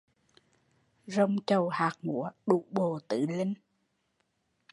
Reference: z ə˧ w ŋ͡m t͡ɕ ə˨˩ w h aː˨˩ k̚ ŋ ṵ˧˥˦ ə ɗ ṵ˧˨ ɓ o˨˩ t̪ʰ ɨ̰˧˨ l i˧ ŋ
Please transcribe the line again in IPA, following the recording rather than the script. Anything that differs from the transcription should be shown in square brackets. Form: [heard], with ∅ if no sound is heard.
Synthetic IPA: z ə˧ w ŋ͡m t͡ɕ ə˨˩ w h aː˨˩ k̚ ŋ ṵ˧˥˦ ə ɗ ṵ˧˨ ɓ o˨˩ [t̪] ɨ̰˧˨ l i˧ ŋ